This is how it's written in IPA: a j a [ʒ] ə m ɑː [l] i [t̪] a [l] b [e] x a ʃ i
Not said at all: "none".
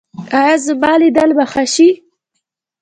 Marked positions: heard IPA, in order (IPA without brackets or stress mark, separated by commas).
z, l, d̪, l, a